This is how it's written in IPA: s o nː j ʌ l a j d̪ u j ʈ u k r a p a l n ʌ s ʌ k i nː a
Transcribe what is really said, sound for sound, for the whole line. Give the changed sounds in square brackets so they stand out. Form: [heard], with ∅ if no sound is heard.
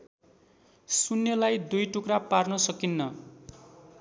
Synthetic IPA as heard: s [u] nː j ʌ l a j d̪ u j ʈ u k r a p a [r] n ʌ s ʌ k i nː [ʌ]